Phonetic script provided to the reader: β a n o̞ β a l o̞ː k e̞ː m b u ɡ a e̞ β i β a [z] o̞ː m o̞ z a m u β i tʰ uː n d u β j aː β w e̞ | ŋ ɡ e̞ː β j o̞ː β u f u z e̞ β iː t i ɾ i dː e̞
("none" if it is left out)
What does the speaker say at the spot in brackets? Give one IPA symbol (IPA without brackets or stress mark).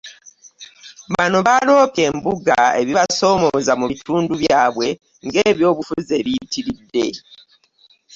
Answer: s